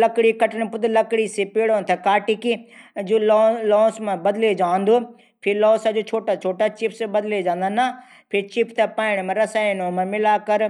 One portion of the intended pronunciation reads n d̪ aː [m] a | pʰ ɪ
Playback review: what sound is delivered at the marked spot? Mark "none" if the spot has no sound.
n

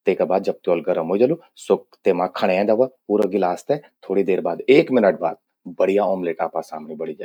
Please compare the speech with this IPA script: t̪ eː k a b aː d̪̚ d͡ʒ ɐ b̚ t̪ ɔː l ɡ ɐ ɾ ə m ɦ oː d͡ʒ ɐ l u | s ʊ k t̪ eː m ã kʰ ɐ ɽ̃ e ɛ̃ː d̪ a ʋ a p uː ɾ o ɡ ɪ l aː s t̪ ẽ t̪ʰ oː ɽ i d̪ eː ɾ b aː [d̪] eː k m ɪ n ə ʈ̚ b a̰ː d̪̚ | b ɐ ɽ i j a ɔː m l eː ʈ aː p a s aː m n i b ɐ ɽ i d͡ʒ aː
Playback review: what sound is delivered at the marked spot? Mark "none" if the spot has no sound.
d̪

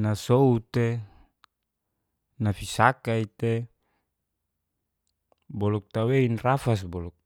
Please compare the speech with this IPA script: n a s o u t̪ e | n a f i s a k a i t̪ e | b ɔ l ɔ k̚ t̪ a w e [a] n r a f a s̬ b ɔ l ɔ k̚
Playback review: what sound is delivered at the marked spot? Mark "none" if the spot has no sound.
i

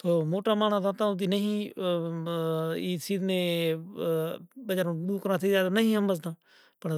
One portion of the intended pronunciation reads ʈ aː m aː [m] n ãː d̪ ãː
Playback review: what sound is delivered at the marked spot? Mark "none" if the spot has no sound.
none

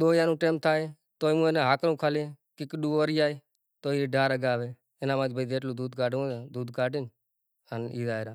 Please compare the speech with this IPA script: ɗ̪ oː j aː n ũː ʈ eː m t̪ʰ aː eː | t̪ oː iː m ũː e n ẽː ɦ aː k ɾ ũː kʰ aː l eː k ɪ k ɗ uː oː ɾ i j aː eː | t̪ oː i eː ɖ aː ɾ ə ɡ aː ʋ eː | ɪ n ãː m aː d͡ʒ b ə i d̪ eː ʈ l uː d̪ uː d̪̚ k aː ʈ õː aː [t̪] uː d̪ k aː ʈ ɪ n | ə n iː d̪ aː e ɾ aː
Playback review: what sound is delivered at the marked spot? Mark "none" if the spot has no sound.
d̪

